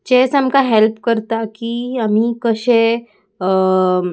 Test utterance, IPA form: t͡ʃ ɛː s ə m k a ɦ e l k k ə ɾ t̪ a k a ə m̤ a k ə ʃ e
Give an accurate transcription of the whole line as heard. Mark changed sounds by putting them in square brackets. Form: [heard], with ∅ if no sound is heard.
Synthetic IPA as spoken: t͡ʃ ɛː s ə m k a ɦ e l [p] k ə ɾ t̪ a k [i] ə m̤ [i] k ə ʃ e